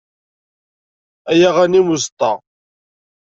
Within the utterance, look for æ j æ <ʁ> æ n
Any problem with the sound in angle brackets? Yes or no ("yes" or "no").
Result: no